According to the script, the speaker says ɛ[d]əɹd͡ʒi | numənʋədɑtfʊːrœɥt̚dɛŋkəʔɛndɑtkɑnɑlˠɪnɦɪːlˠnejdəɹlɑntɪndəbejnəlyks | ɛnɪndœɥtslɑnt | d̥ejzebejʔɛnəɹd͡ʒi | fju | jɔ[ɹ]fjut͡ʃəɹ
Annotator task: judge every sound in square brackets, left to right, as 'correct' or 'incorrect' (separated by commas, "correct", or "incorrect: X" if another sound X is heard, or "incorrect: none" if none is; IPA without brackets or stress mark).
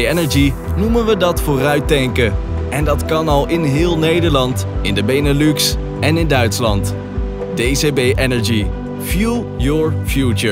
incorrect: n, correct